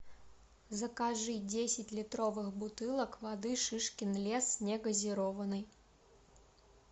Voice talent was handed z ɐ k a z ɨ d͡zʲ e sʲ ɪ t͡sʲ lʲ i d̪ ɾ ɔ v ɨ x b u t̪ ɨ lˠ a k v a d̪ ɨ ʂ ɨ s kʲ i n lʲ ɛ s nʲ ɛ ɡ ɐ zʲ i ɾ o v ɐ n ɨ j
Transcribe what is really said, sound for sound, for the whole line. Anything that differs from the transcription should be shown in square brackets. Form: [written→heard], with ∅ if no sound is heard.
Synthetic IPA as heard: z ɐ k a [z→ʐ] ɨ d͡zʲ e sʲ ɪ t͡sʲ lʲ i [d̪→t̪] ɾ ɔ v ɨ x b u t̪ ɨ lˠ [a→ɐ] k v a d̪ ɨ ʂ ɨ [s→ʂ] kʲ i n lʲ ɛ s nʲ ɛ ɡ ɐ zʲ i ɾ [o→ɔ] v ɐ n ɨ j